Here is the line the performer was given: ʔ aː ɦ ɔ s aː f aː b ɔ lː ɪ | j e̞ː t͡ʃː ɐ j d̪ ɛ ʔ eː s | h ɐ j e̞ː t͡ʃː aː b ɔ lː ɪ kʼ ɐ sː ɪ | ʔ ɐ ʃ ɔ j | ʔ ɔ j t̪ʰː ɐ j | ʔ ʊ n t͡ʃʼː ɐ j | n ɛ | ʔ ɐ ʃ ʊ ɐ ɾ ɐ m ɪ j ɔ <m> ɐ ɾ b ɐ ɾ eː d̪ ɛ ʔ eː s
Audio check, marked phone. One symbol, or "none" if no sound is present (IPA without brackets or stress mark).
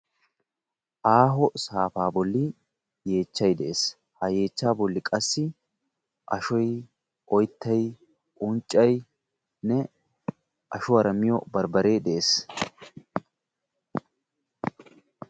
b